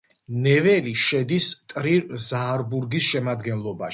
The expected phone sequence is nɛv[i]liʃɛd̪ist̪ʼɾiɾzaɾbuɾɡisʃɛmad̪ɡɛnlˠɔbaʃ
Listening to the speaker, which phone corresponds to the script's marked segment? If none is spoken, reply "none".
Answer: ɛ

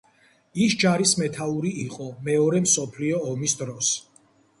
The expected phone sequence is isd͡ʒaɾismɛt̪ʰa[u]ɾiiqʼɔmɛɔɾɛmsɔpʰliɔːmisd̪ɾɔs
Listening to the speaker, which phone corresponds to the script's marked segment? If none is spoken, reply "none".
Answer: u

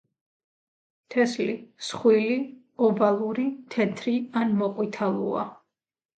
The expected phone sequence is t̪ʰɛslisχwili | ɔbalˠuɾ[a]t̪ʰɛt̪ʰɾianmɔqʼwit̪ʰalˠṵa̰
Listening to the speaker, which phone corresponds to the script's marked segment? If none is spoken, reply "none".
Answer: i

